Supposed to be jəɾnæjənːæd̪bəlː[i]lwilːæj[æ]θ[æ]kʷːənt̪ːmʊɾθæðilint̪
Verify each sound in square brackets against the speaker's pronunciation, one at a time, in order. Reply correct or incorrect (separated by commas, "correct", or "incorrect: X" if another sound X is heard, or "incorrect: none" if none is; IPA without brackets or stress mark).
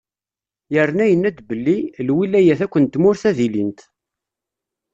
correct, correct, correct